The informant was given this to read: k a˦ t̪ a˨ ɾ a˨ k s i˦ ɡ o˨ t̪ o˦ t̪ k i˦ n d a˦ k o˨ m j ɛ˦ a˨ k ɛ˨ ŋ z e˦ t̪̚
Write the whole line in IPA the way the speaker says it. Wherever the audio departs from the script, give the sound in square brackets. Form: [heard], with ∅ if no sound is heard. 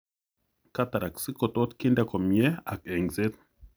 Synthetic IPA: k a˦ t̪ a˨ ɾ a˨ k s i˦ [k] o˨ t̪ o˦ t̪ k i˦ n d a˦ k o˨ m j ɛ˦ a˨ k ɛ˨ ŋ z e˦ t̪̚